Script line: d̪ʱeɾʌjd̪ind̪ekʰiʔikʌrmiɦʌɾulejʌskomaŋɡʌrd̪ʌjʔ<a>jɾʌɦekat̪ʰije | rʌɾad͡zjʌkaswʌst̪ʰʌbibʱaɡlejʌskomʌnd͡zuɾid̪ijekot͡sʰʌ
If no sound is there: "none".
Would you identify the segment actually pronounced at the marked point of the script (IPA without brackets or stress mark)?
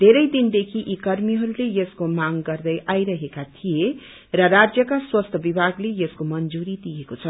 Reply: a